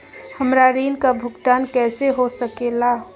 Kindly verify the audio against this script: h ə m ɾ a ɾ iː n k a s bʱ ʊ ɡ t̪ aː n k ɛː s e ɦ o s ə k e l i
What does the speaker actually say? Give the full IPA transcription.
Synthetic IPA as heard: h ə m ɾ a ɾ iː n k a bʱ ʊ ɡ t̪ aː n k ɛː s e ɦ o s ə k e l a